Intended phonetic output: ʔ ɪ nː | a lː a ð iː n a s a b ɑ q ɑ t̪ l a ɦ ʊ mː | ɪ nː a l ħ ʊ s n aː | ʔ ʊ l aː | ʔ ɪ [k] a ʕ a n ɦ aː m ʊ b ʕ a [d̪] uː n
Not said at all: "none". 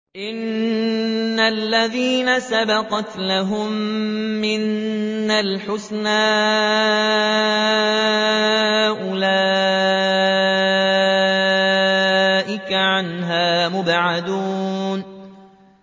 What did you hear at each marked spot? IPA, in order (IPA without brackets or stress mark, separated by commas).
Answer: k, d̪